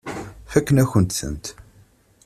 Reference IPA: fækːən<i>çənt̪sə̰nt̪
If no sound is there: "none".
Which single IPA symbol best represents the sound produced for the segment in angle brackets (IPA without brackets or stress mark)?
æ